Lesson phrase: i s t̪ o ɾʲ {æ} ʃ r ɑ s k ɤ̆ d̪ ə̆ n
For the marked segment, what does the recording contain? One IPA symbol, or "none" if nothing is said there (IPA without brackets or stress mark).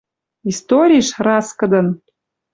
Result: i